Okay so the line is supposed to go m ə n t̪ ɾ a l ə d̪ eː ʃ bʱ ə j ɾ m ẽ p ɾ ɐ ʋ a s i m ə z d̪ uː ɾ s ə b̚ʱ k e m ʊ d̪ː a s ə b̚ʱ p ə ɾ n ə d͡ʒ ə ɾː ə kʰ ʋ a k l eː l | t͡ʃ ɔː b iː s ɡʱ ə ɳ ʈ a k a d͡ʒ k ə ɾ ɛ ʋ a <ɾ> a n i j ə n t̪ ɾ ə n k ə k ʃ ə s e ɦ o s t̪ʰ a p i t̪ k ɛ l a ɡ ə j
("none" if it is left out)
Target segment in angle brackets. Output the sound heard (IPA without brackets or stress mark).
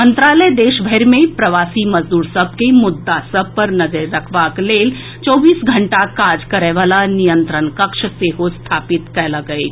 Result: l